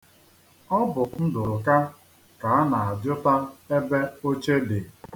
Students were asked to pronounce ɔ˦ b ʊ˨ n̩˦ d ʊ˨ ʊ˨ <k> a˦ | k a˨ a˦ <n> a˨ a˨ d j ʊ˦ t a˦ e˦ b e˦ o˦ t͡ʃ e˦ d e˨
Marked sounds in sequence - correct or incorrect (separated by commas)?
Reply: correct, correct